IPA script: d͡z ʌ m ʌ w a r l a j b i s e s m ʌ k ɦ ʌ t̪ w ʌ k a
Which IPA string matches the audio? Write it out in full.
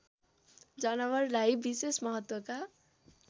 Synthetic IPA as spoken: d͡z ʌ n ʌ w ʌ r l a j b i s e s m ʌ ɦ ʌ t̪ w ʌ k a